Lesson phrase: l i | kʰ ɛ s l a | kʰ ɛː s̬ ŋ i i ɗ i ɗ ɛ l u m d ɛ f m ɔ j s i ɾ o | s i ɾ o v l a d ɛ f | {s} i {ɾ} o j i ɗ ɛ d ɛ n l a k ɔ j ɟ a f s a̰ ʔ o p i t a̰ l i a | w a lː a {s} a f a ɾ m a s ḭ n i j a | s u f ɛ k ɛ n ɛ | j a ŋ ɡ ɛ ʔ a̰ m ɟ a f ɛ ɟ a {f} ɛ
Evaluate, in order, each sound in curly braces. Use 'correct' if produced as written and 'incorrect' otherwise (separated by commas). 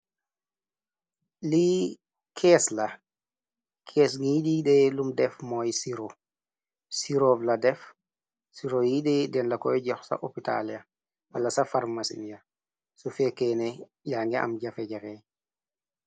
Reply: correct, correct, correct, correct